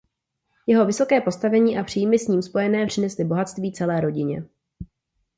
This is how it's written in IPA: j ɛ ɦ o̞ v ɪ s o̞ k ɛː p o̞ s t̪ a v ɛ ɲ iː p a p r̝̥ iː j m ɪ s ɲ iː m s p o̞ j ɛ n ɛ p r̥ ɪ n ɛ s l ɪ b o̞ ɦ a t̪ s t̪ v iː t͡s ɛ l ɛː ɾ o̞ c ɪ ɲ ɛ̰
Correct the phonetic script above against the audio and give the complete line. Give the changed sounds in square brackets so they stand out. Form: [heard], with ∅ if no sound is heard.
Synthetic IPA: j ɛ ɦ o̞ v ɪ s o̞ k ɛː p o̞ s t̪ a v ɛ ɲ iː [ʔ] a p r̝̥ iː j m ɪ s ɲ iː m s p o̞ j ɛ n [ɛː] p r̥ ɪ n ɛ s l ɪ b o̞ ɦ a t̪ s t̪ v iː t͡s ɛ l ɛː ɾ o̞ [ɟ] ɪ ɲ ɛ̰